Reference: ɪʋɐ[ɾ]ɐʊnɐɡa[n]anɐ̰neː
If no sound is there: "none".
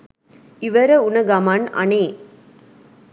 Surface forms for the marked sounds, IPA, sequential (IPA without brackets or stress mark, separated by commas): ɾ, m